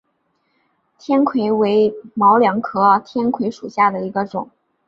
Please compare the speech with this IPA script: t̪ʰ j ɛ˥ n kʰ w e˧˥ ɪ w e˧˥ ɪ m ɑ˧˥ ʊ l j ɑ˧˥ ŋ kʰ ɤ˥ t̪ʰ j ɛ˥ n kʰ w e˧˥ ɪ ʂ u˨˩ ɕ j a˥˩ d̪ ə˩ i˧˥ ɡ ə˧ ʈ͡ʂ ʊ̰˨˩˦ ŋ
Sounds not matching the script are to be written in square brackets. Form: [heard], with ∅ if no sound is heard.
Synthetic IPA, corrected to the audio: t̪ʰ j ɛ˥ n kʰ w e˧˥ ɪ w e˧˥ ɪ m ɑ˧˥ ʊ l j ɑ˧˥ ŋ kʰ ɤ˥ t̪ʰ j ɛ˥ n kʰ w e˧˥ ɪ ʂ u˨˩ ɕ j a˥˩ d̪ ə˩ i˧˥ ɡ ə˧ ʈ͡ʂ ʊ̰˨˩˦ ŋ